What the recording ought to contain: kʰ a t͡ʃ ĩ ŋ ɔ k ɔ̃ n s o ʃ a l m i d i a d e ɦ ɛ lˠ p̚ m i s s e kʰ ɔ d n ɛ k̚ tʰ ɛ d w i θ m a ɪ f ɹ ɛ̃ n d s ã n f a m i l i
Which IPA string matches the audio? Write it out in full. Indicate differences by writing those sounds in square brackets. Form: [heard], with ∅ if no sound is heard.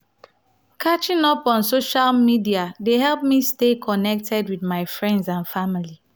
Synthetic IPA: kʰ a t͡ʃ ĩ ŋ ɔ [p] ɔ̃ n s o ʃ a l m i d i a d e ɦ ɛ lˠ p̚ m i s [t] e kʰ ɔ [∅] n ɛ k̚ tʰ ɛ d w i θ m a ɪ f ɹ ɛ̃ n d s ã n f a m i l i